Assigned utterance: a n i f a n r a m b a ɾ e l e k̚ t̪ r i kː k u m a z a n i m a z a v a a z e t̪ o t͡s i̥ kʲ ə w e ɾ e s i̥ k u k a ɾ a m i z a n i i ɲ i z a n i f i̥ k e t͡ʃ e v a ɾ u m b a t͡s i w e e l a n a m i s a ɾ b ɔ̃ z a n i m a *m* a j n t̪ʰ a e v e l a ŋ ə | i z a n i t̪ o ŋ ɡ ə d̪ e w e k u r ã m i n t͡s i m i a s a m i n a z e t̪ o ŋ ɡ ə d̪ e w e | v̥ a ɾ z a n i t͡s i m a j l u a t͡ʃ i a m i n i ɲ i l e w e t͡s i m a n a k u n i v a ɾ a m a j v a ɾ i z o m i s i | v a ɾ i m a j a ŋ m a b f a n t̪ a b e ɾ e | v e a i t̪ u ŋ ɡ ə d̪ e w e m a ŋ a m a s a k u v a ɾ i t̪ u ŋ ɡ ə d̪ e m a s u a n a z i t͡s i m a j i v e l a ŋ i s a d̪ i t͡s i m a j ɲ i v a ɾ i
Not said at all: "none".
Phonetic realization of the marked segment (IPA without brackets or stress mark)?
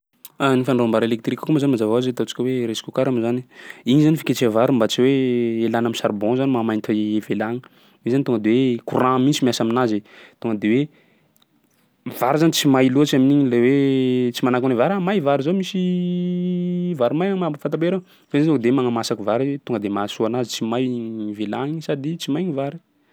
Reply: m